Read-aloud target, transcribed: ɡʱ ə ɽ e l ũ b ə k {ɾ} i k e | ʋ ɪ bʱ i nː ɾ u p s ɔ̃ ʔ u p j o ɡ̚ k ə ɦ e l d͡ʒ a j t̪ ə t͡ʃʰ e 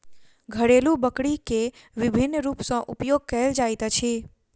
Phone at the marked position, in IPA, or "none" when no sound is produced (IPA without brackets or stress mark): ɽ